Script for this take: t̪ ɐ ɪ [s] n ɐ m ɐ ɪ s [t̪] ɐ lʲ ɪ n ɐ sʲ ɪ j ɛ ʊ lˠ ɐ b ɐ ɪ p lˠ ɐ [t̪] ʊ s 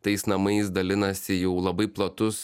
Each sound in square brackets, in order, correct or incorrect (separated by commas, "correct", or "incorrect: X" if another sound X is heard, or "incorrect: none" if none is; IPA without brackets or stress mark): correct, incorrect: d̪, correct